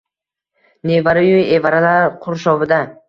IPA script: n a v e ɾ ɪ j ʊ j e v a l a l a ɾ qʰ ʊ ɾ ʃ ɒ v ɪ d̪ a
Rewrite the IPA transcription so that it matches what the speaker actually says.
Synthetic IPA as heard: n e v a ɾ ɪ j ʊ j e v a ɾ a l a ɾ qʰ ʊ ɾ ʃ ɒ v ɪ d̪ a